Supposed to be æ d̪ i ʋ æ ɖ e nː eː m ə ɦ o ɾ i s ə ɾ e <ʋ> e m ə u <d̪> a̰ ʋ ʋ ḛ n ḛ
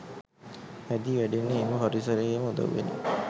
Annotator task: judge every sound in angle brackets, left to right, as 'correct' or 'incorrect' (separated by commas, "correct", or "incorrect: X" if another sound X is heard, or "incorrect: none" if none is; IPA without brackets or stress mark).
incorrect: none, correct